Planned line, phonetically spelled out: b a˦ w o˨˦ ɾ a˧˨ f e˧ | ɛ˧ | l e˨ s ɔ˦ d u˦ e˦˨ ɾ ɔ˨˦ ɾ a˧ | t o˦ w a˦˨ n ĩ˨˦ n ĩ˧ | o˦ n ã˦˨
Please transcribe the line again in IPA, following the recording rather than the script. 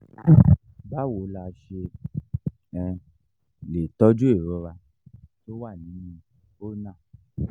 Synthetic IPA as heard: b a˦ w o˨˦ l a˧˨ ʃ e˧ | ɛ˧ | l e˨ t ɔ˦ d͡ʒ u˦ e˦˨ ɾ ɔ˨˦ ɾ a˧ | t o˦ w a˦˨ n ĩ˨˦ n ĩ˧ | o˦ n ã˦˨